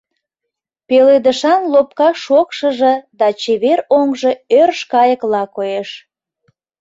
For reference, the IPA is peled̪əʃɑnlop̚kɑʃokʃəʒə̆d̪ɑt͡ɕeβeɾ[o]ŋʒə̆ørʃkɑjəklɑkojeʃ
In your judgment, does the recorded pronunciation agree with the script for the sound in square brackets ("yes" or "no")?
yes